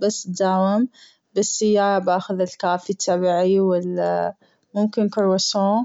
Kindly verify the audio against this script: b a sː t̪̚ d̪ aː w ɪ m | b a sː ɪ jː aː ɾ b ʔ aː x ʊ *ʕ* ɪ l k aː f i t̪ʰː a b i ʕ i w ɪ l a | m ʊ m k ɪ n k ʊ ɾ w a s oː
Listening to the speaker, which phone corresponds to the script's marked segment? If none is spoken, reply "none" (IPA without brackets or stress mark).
ð